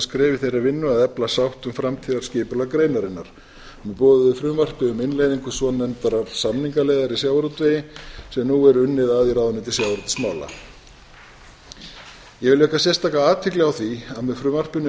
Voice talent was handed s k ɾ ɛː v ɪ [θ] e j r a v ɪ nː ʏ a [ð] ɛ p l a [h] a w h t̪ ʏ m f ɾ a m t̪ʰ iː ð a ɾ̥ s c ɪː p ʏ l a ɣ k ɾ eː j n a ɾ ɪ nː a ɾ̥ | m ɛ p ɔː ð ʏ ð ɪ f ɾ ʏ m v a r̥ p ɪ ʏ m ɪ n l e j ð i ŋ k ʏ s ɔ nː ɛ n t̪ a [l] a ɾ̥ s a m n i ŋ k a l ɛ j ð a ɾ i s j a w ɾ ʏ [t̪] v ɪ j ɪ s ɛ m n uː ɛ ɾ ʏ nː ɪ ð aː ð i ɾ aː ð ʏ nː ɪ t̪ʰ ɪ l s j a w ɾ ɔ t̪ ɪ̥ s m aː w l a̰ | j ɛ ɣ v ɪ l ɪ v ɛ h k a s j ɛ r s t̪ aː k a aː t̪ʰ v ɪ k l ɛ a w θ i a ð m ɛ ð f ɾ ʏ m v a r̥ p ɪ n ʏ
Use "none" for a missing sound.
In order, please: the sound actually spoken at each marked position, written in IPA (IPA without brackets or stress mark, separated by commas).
θ, ð, s, ɾ, t̪